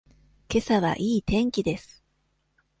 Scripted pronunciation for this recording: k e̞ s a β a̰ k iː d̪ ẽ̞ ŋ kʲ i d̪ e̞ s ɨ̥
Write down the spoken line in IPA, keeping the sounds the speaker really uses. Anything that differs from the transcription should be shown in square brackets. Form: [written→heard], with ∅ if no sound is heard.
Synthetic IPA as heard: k e̞ s a β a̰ [k→ʔ] iː [d̪→t̪] ẽ̞ ŋ kʲ i d̪ e̞ s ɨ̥